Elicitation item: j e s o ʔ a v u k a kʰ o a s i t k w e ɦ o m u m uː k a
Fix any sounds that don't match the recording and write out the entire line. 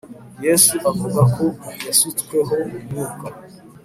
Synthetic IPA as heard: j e s u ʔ a v u ɡ a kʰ o a s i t k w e ɦ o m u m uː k a